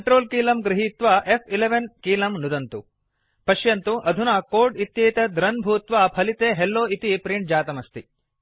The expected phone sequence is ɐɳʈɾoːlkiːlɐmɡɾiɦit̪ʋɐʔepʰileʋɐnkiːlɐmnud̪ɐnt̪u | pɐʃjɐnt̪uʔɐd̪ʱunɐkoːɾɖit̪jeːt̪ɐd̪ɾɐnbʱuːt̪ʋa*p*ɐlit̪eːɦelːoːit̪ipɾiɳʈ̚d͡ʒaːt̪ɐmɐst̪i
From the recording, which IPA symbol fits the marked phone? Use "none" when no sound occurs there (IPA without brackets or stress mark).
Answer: pʰ